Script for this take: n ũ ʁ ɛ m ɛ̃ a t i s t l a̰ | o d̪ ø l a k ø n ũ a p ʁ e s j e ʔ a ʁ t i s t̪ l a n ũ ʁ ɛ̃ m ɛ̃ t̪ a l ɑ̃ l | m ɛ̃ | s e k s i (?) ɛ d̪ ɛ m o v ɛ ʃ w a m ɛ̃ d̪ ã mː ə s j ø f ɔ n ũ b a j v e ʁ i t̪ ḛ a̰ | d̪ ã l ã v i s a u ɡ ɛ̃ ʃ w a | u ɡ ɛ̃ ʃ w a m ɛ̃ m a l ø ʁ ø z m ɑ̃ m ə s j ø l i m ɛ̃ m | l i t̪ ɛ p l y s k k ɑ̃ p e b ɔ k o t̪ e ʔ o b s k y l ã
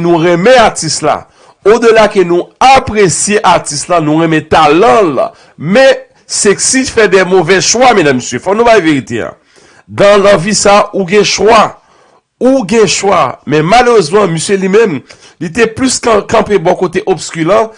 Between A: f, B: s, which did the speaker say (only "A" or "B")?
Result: A